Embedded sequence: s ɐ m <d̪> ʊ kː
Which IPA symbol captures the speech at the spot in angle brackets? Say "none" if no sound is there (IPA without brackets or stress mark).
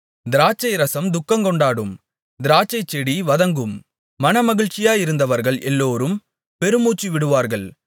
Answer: d̪